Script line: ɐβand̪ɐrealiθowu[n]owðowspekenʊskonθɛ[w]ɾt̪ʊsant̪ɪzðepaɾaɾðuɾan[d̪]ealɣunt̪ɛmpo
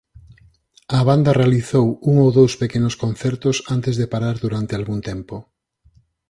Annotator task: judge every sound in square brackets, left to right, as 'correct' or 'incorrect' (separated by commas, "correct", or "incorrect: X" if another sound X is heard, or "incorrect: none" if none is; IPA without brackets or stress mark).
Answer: incorrect: ŋ, incorrect: none, incorrect: t̪